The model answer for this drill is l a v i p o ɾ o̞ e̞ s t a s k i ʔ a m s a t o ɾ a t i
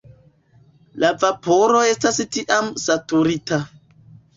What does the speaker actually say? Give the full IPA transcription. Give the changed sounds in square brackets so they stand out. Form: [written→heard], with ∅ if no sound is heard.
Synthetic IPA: l a v [i→a] p o ɾ o̞ e̞ s t a s [k→t] i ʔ a m s a t [o→u] ɾ [a→i] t [i→a]